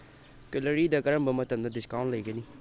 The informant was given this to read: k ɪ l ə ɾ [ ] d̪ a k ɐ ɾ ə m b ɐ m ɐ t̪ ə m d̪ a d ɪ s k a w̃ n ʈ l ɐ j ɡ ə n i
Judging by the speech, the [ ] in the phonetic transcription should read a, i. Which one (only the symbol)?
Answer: i